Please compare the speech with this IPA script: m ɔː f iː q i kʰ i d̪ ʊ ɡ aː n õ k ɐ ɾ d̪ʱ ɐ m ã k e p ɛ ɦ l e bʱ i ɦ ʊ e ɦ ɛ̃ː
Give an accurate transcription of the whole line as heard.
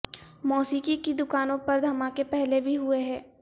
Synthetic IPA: m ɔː s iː k i k i d̪ ʊ k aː n õ p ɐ ɾ d̪ʱ ɐ m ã k e p ɛ ɦ l e bʱ i ɦ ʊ e ɦ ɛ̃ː